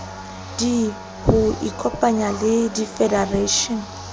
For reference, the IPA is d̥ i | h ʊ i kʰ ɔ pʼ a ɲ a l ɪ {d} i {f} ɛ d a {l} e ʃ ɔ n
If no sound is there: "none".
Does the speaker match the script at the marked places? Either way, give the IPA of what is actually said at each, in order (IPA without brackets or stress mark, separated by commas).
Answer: d, f, r